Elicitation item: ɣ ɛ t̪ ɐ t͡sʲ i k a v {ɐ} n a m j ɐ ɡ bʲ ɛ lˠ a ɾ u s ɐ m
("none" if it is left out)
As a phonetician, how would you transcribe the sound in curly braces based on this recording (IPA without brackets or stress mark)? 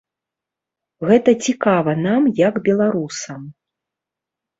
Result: ɐ